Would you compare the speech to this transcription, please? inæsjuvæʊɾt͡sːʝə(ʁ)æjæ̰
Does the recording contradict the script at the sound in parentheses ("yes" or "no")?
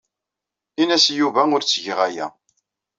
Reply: no